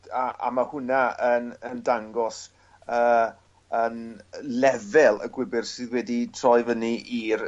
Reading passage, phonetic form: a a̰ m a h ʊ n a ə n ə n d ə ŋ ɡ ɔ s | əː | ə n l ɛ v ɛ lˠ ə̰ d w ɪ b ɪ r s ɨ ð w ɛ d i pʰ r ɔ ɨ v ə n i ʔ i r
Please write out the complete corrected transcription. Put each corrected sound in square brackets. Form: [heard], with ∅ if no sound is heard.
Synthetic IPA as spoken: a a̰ m a h ʊ n a ə n ə n d [a] ŋ ɡ ɔ s | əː | ə n l ɛ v ɛ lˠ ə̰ [ɡ] w ɪ b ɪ r s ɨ ð w ɛ d i [tʰ] r ɔ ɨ v ə n i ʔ i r